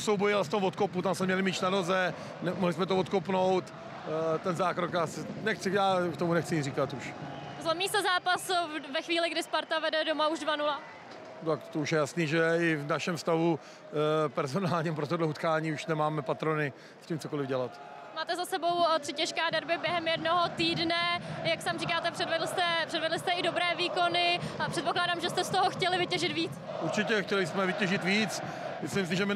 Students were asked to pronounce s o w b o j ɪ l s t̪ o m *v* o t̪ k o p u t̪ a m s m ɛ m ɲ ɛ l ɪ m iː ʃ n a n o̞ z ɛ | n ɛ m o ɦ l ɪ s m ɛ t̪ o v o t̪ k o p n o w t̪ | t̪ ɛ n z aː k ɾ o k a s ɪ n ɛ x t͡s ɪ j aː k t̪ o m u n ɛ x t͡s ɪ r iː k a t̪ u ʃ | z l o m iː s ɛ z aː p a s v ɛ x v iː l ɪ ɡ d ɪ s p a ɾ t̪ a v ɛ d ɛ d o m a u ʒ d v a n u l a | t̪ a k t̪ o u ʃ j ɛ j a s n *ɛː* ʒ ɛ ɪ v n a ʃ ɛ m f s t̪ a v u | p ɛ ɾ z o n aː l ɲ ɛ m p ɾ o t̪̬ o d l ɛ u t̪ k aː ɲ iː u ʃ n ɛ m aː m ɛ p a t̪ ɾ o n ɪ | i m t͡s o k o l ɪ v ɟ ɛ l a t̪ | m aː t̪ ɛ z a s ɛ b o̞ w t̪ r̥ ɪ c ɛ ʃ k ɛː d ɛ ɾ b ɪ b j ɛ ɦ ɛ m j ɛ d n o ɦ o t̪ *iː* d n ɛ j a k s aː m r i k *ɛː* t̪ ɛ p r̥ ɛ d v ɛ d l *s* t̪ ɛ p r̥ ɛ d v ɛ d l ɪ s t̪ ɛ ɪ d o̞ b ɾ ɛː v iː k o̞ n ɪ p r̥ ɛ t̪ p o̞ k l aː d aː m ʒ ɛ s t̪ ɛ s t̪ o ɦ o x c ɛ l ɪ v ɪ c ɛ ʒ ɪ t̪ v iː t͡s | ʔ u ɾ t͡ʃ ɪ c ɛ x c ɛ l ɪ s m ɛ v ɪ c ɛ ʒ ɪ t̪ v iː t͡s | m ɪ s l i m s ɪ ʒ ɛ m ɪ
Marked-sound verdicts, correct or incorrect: correct, incorrect: iː, correct, incorrect: aː, correct

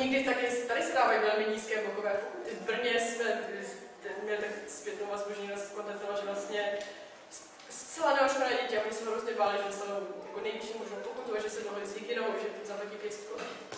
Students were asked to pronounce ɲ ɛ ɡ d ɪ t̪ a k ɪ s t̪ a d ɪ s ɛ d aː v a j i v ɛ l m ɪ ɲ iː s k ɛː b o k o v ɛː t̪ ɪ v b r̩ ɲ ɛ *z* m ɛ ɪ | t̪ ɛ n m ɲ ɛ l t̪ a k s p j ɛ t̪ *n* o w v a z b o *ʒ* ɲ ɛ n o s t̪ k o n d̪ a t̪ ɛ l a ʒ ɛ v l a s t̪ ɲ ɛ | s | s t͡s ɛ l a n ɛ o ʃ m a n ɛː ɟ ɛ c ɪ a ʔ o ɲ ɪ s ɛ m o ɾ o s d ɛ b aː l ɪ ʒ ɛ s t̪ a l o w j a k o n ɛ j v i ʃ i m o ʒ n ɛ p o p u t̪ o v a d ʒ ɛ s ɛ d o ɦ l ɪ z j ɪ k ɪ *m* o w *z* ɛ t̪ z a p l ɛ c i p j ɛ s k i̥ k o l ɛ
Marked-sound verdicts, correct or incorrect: incorrect: s, correct, correct, incorrect: n, incorrect: ʒ

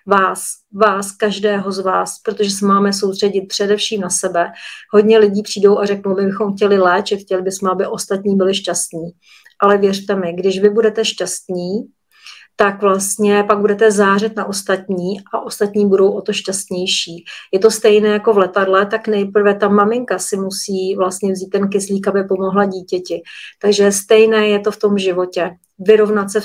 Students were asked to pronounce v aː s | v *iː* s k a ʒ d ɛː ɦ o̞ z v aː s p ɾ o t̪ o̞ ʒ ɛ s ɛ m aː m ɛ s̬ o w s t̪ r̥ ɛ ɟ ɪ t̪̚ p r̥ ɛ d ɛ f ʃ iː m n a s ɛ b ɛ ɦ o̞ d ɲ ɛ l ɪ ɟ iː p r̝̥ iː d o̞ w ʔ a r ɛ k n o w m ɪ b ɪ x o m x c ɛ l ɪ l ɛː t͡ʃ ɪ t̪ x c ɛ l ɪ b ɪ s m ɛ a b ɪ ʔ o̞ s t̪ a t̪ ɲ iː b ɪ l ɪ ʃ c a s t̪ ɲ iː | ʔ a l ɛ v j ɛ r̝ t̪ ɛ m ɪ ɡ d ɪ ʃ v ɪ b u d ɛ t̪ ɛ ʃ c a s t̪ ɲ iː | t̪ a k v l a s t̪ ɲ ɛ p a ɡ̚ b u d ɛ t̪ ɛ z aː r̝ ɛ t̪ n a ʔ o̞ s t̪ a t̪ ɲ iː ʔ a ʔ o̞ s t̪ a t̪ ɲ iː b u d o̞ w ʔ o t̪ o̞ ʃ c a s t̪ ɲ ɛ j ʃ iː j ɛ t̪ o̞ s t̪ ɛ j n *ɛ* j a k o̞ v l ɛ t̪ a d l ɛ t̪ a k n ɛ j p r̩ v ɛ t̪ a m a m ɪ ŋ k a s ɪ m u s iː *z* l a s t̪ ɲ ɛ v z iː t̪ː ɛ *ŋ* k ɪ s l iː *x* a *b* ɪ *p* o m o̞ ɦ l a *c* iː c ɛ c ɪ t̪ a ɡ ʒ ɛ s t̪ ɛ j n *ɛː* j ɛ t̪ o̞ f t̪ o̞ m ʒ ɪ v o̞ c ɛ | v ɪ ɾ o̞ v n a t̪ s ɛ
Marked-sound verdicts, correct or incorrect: incorrect: aː, incorrect: ɛː, incorrect: v, incorrect: n, incorrect: k, correct, correct, incorrect: ɟ, correct

